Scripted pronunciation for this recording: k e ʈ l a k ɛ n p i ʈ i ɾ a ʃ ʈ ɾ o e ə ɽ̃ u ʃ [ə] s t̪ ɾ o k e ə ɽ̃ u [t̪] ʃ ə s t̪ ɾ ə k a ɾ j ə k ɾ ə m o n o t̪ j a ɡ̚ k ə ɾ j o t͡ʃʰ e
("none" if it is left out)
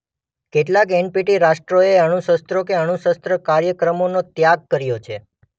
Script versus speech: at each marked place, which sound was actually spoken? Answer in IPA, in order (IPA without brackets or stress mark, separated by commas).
ə, none